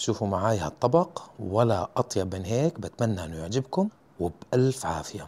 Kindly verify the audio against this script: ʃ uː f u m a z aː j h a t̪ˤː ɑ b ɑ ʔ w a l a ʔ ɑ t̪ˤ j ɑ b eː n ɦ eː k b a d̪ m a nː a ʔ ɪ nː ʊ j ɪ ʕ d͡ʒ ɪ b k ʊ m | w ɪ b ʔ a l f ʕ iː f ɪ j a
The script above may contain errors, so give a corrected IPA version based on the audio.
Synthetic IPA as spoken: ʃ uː f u m a ʕ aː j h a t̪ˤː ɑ b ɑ q w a l a ʔ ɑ t̪ˤ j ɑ b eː n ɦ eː k b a t̪ m a nː a ʔ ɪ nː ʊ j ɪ ʕ d͡ʒ ɪ b k ʊ m | w ɪ b ʔ a l f ʕ aː f ɪ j a